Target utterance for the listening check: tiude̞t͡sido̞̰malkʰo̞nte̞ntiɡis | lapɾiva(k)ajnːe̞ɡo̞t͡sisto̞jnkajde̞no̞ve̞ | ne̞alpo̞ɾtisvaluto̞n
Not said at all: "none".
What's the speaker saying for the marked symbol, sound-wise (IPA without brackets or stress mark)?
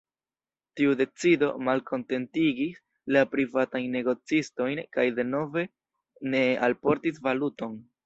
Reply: t